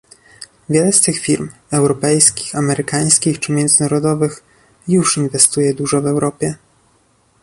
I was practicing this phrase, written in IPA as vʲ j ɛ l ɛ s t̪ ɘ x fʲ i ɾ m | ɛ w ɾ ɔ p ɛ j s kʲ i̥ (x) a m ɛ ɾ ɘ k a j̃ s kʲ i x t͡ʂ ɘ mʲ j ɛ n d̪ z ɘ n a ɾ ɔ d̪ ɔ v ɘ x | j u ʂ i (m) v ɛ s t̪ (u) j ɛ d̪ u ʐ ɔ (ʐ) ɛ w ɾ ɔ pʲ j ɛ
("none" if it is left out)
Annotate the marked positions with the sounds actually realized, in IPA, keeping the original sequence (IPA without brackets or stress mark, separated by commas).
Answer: x, n, u, v